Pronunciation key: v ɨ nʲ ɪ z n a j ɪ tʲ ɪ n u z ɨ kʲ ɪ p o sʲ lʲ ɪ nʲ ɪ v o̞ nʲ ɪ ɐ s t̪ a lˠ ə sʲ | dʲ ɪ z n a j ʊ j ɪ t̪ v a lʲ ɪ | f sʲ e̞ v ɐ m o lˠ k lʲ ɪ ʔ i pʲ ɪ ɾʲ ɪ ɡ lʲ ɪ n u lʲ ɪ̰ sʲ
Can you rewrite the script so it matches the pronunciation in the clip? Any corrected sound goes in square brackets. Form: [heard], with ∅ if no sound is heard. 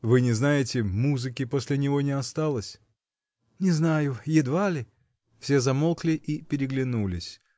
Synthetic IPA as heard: v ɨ nʲ ɪ z n a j ɪ tʲ ɪ [m] u z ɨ kʲ ɪ p o sʲ lʲ ɪ nʲ ɪ v o̞ nʲ ɪ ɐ s t̪ a lˠ ə sʲ | [nʲ] ɪ z n a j ʊ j ɪ [d̪] v a lʲ ɪ | f sʲ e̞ [z] ɐ m o lˠ k lʲ ɪ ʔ i pʲ ɪ ɾʲ ɪ ɡ lʲ ɪ n u lʲ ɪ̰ sʲ